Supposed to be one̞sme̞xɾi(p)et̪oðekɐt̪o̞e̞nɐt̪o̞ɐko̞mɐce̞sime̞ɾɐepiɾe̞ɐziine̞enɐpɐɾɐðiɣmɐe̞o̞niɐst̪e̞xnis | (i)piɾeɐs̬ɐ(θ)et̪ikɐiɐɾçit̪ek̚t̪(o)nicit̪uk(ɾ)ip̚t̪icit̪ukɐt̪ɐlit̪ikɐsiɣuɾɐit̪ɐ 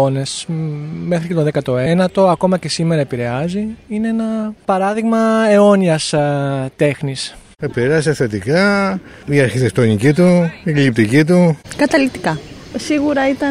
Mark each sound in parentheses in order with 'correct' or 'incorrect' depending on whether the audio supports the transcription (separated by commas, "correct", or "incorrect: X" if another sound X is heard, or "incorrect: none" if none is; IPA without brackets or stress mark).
incorrect: c, incorrect: e, correct, correct, incorrect: l